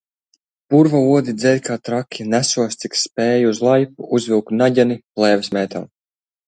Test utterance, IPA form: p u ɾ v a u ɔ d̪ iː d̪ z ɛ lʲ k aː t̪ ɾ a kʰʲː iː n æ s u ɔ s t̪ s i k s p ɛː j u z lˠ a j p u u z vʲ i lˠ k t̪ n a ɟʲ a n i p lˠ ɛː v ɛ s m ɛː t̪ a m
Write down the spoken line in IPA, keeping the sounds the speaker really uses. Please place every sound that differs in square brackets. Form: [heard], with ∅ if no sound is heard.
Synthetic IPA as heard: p u ɾ v a u ɔ d̪ [i] d̪ z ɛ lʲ k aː t̪ ɾ a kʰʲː [i] n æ s u ɔ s t̪ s i k s p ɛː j u z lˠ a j p u u z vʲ i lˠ k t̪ n a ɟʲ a n i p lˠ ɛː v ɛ s m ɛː t̪ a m